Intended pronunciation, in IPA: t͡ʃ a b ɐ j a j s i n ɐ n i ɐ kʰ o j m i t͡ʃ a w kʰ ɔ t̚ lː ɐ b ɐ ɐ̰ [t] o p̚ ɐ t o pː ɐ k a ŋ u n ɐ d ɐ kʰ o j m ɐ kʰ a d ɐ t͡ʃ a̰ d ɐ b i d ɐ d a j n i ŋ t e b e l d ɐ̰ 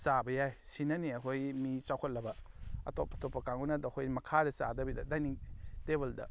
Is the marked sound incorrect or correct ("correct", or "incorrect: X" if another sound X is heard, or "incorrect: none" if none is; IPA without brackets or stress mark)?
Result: correct